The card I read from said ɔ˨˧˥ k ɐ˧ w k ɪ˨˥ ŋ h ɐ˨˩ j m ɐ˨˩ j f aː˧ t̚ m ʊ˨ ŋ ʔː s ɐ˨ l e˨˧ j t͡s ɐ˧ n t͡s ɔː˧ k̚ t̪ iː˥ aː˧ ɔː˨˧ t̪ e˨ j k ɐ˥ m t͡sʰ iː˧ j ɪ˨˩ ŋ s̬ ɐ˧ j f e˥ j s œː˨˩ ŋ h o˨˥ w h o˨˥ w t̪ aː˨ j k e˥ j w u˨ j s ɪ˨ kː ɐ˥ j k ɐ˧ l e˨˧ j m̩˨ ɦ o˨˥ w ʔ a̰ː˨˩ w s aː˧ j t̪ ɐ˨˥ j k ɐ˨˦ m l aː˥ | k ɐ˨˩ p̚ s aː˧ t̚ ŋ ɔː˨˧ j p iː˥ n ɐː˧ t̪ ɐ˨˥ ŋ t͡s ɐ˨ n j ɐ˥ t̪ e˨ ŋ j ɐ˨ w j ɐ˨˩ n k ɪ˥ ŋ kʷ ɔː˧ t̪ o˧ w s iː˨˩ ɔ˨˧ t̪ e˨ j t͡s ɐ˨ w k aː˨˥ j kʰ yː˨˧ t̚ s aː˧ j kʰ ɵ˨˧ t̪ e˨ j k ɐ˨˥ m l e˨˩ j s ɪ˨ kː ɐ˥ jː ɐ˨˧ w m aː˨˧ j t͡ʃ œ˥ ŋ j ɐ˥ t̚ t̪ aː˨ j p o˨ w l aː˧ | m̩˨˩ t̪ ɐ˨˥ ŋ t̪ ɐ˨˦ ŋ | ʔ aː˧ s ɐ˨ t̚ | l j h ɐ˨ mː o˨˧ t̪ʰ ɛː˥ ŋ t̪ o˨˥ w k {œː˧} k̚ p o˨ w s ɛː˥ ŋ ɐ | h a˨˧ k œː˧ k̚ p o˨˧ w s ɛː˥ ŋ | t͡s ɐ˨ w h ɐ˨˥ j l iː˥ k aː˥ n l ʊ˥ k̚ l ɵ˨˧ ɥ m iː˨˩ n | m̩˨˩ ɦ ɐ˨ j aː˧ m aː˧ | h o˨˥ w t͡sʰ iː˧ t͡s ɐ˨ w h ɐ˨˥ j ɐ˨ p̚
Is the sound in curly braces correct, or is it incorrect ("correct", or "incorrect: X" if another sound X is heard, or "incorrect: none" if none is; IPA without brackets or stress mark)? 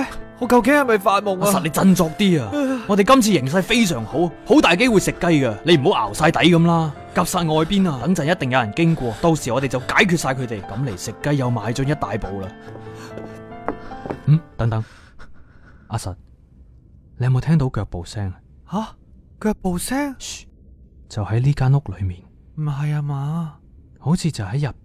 correct